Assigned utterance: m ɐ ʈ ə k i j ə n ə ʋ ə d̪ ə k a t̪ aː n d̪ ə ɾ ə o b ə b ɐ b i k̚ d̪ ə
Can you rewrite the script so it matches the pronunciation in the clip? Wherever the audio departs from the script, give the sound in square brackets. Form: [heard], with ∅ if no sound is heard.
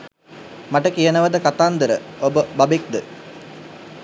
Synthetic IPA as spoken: m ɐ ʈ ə k i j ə n ə ʋ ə d̪ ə k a t̪ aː n d̪ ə ɾ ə o b ə b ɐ b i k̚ d̪ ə